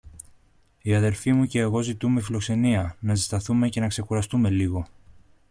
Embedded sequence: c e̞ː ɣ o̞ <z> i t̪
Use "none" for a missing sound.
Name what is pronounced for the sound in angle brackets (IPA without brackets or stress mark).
z